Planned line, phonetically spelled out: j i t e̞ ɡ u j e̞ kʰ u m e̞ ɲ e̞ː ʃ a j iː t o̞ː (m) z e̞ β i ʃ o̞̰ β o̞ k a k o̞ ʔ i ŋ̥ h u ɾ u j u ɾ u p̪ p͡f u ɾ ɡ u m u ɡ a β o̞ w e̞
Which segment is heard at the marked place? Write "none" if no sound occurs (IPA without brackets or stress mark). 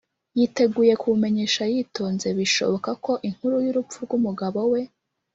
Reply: n